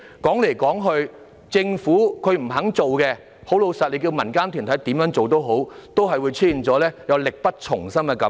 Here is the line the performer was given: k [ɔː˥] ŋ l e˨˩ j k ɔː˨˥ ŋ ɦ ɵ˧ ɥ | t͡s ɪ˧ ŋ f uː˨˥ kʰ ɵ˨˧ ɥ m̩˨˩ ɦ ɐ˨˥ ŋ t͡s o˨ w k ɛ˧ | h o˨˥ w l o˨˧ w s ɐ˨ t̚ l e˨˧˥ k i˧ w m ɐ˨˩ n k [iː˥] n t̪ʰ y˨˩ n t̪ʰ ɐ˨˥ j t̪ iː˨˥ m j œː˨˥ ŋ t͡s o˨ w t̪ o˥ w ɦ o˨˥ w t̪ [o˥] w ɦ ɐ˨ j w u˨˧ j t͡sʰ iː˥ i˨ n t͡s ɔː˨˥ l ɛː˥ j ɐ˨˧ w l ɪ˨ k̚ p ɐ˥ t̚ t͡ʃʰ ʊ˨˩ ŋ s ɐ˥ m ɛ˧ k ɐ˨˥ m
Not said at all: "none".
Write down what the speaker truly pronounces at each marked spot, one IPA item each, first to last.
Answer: ɔː˨˥, aː˥, o˥

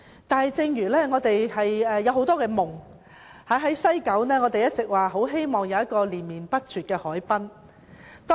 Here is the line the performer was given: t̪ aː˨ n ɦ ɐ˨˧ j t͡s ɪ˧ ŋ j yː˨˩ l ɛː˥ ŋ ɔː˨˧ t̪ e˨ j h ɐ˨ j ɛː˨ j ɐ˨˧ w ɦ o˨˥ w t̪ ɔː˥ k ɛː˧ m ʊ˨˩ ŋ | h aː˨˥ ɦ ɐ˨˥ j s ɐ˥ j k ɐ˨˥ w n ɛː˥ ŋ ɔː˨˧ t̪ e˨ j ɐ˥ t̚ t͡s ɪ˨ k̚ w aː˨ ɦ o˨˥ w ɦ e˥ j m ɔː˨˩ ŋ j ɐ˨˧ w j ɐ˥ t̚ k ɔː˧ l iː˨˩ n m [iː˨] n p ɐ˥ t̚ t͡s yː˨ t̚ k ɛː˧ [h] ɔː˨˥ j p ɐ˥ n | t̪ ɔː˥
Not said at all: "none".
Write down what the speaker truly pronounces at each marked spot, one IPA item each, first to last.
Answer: iː˨, h

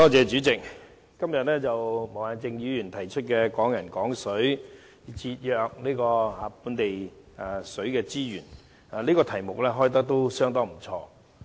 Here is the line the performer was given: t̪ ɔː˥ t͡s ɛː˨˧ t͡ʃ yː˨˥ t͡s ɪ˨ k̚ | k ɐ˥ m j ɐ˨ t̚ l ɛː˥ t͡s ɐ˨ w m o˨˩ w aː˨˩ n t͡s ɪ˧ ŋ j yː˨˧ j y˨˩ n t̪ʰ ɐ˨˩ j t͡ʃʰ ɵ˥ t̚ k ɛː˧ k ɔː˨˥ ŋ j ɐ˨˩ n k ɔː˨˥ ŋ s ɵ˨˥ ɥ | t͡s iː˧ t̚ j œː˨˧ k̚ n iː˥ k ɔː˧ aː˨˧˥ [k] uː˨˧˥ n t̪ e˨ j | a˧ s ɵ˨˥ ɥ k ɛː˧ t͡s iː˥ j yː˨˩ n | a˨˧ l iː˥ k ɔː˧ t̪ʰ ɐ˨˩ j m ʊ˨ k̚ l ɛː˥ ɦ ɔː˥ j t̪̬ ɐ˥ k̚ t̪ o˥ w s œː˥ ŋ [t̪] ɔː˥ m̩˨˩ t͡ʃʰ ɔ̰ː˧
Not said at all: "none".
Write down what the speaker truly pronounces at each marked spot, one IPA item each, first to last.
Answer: p, t̪

